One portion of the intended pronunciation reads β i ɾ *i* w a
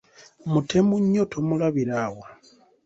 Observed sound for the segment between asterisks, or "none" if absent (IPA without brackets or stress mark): a